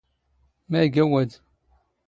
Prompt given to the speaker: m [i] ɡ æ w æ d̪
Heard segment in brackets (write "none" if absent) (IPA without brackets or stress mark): æ